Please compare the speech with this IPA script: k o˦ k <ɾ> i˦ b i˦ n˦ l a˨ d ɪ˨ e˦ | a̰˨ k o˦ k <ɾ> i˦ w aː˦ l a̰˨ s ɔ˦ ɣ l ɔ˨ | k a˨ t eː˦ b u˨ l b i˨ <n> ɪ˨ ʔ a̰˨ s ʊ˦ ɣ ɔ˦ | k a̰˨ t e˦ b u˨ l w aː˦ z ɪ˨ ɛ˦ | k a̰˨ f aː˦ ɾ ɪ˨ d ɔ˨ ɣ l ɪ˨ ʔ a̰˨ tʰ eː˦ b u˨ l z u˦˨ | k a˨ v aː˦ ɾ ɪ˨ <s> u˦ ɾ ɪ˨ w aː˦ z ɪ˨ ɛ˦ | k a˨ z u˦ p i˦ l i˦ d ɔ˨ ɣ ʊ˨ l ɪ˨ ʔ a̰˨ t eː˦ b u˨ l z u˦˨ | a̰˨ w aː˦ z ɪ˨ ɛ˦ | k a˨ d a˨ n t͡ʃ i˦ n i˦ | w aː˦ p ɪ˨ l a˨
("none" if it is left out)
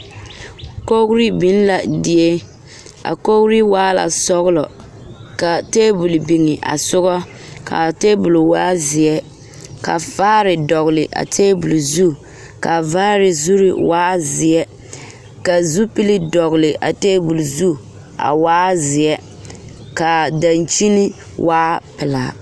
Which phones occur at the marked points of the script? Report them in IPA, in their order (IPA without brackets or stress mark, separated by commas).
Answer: ɾ, ɾ, ŋ, z